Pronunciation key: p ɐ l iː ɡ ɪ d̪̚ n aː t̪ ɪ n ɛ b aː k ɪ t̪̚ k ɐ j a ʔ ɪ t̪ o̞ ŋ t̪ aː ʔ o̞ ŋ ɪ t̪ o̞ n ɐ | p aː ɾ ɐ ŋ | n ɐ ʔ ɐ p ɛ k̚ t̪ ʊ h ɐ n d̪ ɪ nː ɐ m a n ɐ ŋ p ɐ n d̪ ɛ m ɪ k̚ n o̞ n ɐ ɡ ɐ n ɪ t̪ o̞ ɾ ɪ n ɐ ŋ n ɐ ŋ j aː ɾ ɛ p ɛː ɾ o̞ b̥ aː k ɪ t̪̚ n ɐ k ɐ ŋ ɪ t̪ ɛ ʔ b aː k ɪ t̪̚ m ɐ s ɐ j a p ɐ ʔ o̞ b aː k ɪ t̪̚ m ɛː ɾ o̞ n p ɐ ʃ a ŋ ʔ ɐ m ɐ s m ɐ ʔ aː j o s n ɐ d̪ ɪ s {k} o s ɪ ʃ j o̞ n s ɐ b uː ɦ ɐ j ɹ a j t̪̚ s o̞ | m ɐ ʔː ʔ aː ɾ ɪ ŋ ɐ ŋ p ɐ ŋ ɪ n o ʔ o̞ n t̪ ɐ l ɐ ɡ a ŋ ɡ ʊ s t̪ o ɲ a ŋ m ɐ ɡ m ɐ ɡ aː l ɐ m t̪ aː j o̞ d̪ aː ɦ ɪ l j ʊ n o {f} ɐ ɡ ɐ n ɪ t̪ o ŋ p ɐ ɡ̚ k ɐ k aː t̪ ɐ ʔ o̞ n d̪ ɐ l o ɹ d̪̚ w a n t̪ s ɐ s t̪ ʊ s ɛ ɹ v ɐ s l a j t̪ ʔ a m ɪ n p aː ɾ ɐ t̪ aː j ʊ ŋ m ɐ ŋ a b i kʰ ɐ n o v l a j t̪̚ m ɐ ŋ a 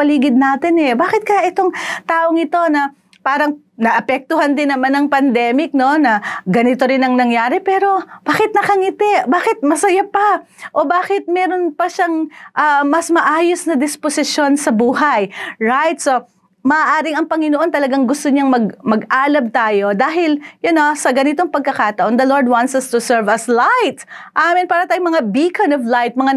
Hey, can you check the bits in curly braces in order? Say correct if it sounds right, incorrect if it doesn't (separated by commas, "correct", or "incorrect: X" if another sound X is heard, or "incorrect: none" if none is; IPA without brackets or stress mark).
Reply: incorrect: p, incorrect: s